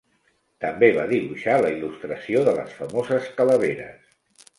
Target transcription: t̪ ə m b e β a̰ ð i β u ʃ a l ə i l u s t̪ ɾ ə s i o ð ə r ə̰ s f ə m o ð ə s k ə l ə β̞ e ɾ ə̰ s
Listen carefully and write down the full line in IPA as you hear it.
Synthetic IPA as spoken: t̪ ə m b e β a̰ ð i β u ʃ a l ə i l u s t̪ ɾ ə s i o ð ə l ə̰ s f ə m o z ə s k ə l ə β̞ e ɾ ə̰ s